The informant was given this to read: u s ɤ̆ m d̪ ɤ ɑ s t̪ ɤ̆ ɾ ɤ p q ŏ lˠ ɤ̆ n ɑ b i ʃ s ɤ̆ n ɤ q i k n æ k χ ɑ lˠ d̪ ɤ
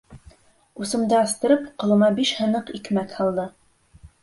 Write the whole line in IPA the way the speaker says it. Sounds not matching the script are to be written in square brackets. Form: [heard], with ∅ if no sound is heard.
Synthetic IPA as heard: u s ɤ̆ m d̪ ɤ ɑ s t̪ ɤ̆ ɾ ɤ p q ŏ lˠ ɤ̆ [m] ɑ b i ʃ [h] ɤ̆ n ɤ q i k [m] æ k [h] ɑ lˠ d̪ ɤ